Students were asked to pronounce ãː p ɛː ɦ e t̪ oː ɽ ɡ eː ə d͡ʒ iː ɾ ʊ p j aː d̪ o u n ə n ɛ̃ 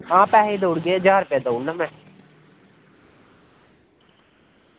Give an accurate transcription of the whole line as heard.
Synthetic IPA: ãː p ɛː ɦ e d̪ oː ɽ ɡ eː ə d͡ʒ aː ɾ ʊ p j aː d̪ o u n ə m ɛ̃